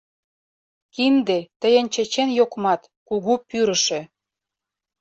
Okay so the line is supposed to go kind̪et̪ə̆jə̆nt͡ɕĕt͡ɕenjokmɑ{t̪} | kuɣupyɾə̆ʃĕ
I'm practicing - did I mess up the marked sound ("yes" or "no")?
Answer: no